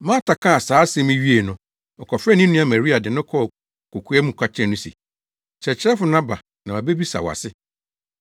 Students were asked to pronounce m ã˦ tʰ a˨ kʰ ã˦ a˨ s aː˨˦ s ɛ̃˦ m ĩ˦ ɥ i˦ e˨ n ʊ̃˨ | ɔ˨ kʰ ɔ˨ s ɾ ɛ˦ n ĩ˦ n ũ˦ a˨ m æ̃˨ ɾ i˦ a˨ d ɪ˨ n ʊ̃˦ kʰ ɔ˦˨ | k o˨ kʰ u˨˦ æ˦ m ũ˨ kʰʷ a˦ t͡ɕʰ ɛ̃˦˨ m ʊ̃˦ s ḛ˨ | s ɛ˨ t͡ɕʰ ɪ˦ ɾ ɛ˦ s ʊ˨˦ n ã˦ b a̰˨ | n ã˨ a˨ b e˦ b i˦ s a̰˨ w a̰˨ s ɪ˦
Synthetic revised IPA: m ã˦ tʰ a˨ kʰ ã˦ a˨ s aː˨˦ s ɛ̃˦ m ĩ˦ ɥ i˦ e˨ n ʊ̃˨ | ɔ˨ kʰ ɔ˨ f ɾ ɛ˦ n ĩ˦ n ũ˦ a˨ m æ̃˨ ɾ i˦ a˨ d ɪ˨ n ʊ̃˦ kʰ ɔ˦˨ | k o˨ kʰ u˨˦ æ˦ m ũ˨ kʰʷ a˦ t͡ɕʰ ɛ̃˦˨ n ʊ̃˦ s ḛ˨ | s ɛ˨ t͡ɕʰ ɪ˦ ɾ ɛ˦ f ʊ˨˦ n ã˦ b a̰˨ | n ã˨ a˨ b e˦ b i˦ s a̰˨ w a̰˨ s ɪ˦